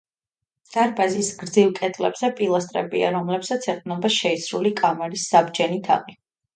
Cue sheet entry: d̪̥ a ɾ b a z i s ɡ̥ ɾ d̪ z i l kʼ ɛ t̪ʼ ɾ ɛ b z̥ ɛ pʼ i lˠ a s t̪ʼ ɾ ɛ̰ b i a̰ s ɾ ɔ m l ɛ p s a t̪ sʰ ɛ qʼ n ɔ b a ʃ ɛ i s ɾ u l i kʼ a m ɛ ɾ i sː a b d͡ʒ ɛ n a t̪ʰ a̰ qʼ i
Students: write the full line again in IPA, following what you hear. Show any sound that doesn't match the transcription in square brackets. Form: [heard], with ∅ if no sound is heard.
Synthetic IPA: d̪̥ a ɾ b a z i s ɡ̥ ɾ d̪ z i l kʼ ɛ t̪ʼ [l] ɛ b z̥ ɛ pʼ i lˠ a s t̪ʼ ɾ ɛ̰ b i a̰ [∅] ɾ ɔ m l ɛ p s a t̪ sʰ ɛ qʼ n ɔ b a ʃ ɛ i s ɾ u l i kʼ a m ɛ ɾ i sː a b d͡ʒ ɛ n [i] t̪ʰ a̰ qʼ i

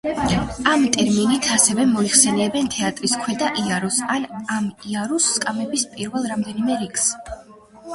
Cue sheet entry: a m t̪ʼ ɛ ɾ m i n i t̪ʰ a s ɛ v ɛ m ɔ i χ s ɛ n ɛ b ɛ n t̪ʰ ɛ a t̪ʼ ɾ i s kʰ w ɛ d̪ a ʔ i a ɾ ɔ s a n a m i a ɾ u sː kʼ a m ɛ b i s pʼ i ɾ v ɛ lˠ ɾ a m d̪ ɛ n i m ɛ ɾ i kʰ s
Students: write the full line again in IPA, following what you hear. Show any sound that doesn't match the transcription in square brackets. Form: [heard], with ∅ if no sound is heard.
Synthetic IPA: a m t̪ʼ ɛ ɾ m i n i t̪ʰ a s ɛ v ɛ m ɔ i χ s ɛ n ɛ b ɛ n t̪ʰ ɛ a t̪ʼ ɾ i s kʰ w ɛ d̪ a ʔ i a ɾ ɔ s a n a m i a ɾ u sː kʼ a m ɛ b i s pʼ i ɾ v ɛ lˠ ɾ a m d̪ ɛ n i m ɛ ɾ i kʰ s

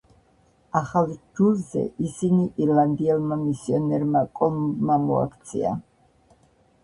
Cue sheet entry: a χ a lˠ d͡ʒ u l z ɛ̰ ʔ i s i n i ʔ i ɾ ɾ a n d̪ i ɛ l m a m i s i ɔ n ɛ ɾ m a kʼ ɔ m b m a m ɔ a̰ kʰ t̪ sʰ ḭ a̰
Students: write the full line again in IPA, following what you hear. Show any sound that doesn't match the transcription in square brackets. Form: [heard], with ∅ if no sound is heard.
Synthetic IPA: a χ a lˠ d͡ʒ u l z ɛ̰ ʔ i s i n i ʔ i ɾ [l] a n d̪ i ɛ l m a m i s i ɔ n ɛ ɾ m a kʼ ɔ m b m a m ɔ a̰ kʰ t̪ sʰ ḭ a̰

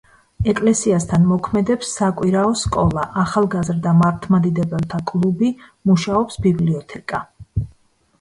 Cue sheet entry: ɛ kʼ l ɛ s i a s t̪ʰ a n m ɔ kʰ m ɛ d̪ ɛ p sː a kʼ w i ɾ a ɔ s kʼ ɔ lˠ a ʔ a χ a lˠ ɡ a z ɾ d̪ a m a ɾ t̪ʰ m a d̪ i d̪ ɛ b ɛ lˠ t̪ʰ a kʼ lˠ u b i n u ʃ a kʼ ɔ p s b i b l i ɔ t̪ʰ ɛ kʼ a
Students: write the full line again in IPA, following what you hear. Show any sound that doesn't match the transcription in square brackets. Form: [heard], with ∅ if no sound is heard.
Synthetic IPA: ɛ kʼ l ɛ s i a s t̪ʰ a n m ɔ kʰ m ɛ d̪ ɛ p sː a kʼ w i ɾ a ɔ s kʼ ɔ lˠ a ʔ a χ a lˠ ɡ a z ɾ d̪ a m a ɾ t̪ʰ m a d̪ i d̪ ɛ b ɛ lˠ t̪ʰ a kʼ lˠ u b i [m] u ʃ a [∅] ɔ p s b i b l i ɔ t̪ʰ ɛ kʼ a

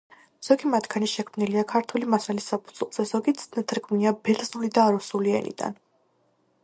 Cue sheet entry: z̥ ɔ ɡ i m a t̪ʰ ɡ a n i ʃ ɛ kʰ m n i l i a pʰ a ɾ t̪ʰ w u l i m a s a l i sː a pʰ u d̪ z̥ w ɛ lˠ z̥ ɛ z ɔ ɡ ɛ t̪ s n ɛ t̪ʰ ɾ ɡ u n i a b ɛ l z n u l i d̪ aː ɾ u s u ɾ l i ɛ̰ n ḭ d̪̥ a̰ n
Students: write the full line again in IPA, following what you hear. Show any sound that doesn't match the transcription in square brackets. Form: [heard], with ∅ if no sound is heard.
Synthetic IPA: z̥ ɔ ɡ i m a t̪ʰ ɡ a n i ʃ ɛ kʰ m n i l i a [kʰ] a ɾ t̪ʰ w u l i m a s a l i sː a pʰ u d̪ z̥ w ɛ lˠ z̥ ɛ z ɔ ɡ [i] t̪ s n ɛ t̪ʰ ɾ ɡ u n i a b ɛ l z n u l i d̪ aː ɾ u s u [∅] l i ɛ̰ n ḭ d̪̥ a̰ n

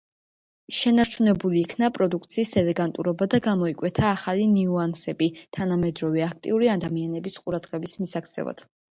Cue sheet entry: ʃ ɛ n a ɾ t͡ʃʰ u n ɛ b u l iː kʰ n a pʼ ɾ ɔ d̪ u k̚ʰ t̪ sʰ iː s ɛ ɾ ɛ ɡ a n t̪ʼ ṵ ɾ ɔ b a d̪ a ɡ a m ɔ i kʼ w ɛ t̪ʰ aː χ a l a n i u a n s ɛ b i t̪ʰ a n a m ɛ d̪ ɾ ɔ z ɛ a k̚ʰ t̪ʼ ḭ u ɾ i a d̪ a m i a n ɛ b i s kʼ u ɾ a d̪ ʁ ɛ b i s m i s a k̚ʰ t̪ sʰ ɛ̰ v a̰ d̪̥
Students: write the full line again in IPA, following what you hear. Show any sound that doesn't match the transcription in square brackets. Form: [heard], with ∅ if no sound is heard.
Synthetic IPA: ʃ ɛ n a ɾ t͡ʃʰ u n ɛ b u l iː kʰ n a pʼ ɾ ɔ d̪ u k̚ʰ t̪ sʰ iː s ɛ [l] ɛ ɡ a n t̪ʼ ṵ ɾ ɔ b a d̪ a ɡ a m ɔ i kʼ w ɛ t̪ʰ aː χ a l [i] n i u a n s ɛ b i t̪ʰ a n a m ɛ d̪ ɾ ɔ [v] ɛ a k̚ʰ t̪ʼ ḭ u ɾ i a d̪ a m i a n ɛ b i s [qʼ] u ɾ a d̪ ʁ ɛ b i s m i s a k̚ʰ t̪ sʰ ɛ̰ v a̰ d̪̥

